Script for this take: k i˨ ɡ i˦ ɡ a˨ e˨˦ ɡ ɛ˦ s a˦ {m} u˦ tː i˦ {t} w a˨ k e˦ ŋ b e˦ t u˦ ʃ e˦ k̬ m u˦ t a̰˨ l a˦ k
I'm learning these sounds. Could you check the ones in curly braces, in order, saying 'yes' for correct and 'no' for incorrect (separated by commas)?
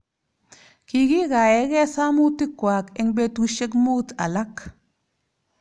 yes, no